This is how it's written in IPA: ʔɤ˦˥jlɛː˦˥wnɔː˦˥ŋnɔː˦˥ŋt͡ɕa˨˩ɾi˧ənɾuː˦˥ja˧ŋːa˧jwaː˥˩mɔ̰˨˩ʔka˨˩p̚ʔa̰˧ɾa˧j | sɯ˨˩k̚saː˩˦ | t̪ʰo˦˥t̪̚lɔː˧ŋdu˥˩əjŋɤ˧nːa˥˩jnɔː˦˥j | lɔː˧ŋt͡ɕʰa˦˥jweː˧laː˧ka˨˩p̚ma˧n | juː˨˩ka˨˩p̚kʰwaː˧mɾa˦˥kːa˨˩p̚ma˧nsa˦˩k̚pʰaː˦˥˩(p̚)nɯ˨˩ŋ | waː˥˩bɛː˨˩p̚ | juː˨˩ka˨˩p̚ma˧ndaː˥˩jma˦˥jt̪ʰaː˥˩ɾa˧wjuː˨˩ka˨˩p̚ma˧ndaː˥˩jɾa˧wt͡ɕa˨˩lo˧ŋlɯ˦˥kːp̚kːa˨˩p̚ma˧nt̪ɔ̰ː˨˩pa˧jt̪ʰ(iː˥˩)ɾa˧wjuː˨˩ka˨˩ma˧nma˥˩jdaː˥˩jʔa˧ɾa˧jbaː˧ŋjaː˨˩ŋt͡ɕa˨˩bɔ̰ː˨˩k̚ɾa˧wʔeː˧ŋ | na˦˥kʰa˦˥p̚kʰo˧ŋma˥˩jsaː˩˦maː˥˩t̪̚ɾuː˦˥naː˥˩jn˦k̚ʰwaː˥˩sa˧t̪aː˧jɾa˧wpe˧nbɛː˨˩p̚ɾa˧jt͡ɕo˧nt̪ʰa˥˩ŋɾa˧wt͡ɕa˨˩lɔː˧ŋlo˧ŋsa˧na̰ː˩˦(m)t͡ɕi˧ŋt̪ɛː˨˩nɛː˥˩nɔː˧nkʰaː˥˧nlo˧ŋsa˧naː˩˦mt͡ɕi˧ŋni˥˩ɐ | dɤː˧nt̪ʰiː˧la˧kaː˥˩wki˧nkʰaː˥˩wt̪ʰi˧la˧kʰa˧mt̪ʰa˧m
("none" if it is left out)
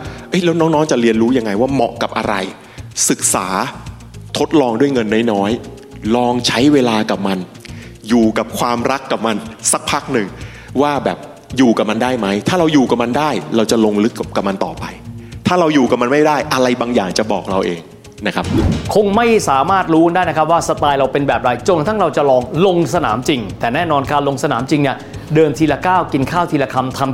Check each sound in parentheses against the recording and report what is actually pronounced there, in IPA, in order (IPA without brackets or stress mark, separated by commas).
k̚, aː˥˩, m